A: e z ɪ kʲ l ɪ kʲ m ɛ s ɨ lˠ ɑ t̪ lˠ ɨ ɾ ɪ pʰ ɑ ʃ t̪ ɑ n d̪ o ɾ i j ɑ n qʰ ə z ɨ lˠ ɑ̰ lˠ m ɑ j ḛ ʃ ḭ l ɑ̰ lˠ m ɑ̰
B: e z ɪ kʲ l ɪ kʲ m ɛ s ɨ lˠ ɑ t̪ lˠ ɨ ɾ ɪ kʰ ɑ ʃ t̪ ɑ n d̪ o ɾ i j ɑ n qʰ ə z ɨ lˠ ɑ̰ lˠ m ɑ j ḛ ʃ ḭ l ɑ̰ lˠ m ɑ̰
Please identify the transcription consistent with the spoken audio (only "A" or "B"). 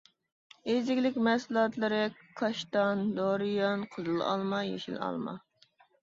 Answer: B